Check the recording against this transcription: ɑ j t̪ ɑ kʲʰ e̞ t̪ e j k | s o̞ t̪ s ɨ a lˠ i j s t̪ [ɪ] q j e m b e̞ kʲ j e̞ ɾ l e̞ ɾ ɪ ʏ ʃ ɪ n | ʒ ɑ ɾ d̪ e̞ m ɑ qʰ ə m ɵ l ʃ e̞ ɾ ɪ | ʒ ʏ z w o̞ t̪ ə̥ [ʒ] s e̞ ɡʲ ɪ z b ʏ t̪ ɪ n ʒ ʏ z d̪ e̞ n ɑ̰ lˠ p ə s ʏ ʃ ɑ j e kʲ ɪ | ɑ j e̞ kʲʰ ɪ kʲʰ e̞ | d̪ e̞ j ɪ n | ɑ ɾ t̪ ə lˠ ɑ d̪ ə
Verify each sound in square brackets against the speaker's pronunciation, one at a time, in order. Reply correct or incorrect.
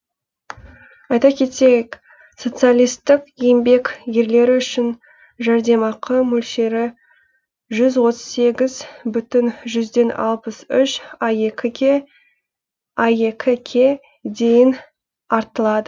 correct, incorrect: z

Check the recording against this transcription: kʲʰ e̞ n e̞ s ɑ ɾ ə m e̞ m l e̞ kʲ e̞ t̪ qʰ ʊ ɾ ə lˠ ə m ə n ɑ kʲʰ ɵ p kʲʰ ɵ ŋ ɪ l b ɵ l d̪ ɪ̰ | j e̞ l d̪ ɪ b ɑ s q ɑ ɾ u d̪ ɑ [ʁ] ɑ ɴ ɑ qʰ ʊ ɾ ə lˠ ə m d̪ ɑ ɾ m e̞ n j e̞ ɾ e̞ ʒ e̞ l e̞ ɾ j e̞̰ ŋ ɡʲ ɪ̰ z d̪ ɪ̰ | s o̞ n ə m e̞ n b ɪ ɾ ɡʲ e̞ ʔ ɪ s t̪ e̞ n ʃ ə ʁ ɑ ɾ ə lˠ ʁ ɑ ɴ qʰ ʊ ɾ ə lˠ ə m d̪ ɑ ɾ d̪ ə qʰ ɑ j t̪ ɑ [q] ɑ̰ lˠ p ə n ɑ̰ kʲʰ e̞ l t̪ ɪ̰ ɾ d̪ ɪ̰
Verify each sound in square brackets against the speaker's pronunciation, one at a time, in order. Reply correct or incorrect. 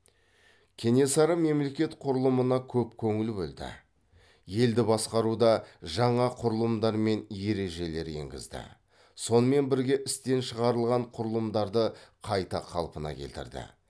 incorrect: ʒ, incorrect: qʰ

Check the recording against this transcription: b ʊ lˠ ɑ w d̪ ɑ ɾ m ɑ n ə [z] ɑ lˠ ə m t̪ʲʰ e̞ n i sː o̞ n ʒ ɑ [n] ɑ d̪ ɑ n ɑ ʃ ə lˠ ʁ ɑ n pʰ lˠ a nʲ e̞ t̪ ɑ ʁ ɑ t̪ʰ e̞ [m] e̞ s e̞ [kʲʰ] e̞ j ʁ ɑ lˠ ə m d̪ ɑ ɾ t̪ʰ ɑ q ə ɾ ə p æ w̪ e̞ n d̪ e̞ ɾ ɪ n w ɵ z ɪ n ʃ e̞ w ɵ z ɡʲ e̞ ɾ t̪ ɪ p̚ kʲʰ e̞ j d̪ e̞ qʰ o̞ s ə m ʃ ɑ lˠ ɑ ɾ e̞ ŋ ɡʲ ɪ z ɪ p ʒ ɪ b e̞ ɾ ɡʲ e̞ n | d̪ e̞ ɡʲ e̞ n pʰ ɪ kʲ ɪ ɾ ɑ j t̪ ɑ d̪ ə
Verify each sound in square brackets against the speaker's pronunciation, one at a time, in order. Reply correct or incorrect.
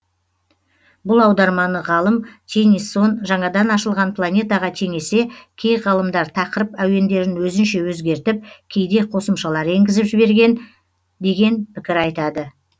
incorrect: ʁ, incorrect: ɴ, incorrect: ŋ, correct

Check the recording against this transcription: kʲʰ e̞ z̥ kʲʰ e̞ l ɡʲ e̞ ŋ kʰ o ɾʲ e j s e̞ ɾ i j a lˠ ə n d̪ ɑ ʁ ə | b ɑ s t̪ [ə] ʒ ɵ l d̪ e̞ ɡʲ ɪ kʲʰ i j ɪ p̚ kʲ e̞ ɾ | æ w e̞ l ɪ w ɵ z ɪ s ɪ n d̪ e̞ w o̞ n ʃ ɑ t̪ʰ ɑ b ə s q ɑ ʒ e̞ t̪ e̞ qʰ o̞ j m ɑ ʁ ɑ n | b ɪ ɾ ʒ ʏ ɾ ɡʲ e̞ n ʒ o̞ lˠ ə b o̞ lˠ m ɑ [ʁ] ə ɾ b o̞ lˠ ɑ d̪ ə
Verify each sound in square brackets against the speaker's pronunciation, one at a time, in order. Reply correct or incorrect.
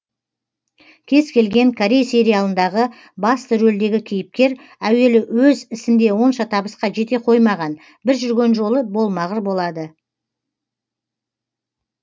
correct, correct

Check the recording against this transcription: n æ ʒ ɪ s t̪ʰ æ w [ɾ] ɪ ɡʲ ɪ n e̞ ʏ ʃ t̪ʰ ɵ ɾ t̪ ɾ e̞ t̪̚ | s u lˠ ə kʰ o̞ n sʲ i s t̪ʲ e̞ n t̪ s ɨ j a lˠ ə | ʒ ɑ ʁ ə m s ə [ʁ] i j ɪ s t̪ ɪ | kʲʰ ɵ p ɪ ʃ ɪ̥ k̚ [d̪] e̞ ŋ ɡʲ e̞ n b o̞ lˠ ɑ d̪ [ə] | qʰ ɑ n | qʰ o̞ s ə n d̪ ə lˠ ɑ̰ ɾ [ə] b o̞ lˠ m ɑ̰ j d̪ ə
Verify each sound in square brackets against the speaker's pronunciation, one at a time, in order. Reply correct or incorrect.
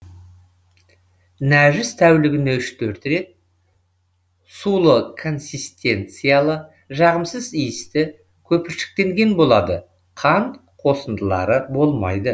incorrect: l, incorrect: z, incorrect: t̪, correct, correct

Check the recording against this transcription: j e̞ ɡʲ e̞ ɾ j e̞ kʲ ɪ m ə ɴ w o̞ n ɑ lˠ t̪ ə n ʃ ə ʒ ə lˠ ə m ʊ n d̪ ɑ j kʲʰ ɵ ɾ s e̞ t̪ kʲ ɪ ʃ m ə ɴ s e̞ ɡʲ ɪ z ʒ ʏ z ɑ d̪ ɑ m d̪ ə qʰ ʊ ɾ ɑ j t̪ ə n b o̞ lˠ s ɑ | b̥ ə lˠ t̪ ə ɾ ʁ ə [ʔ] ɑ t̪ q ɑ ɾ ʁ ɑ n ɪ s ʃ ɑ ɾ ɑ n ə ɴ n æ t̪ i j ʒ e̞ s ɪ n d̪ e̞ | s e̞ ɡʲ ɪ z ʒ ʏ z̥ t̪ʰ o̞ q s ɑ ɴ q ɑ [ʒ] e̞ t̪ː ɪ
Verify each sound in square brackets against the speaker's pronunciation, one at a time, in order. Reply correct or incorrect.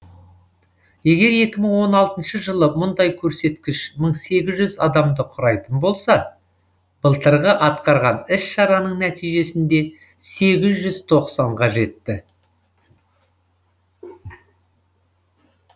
correct, correct

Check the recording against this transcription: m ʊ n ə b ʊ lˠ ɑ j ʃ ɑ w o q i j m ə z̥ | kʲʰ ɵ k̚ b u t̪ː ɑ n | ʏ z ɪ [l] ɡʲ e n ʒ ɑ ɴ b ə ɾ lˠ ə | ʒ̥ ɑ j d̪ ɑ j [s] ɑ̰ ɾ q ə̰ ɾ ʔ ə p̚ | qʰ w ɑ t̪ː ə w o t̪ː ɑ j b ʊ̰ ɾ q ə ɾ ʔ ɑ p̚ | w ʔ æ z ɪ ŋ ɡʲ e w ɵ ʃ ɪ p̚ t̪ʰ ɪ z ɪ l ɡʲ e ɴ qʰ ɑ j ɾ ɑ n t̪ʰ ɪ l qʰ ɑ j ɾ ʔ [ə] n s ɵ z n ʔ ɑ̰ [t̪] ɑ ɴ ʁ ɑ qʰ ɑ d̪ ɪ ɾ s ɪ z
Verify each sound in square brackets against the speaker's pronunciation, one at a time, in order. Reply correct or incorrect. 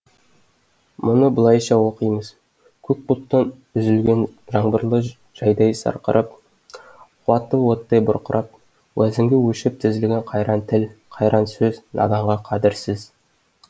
correct, correct, incorrect: ɑ, incorrect: d̪

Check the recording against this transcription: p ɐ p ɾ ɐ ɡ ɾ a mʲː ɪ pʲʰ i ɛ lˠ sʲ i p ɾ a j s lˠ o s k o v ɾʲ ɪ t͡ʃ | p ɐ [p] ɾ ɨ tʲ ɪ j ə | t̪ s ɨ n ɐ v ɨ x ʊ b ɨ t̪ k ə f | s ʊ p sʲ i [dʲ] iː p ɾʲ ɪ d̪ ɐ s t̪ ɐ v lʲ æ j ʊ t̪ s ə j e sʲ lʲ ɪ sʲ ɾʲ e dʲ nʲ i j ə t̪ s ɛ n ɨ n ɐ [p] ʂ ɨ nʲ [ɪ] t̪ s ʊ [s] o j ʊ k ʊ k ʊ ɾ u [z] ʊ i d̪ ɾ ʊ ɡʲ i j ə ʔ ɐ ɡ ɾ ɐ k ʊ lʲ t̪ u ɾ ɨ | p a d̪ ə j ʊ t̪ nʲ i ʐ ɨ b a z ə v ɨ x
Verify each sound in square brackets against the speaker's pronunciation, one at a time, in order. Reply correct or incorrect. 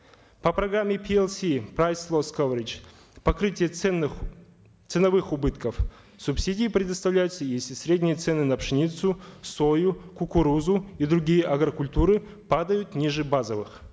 incorrect: k, correct, correct, incorrect: i, correct, correct

